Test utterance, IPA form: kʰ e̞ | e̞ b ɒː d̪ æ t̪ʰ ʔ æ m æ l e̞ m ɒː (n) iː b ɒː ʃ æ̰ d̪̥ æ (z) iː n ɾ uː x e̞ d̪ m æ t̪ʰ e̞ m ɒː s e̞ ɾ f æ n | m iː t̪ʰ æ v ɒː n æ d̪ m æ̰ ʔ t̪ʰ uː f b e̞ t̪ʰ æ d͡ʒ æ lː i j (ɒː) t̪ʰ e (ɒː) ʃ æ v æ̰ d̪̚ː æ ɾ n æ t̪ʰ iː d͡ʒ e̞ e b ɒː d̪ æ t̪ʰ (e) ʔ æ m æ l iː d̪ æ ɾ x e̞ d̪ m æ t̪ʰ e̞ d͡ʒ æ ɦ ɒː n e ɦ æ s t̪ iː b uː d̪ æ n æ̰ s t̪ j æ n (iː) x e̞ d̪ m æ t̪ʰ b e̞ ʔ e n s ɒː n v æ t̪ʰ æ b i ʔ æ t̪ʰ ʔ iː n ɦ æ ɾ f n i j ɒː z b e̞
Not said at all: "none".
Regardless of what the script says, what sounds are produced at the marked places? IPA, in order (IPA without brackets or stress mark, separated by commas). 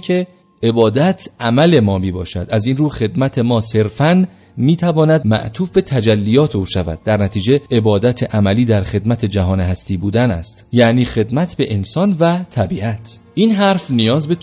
m, z, ɒː, uː, e, iː